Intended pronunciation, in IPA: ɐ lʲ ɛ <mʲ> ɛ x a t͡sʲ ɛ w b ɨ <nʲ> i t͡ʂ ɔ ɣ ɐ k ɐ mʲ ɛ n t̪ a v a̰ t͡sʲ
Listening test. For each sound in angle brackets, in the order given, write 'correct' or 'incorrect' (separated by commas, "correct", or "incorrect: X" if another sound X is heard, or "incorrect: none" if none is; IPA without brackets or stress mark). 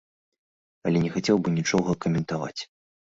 incorrect: nʲ, correct